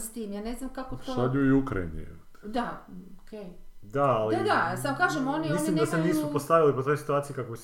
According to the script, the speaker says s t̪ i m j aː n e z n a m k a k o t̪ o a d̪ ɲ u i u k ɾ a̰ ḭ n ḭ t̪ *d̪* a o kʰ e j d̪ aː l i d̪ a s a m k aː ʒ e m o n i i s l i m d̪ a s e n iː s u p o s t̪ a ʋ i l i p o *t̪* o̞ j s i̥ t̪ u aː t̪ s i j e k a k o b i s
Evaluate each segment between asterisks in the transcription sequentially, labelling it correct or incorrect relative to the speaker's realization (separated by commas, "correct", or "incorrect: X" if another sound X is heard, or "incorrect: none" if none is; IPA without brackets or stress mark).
correct, correct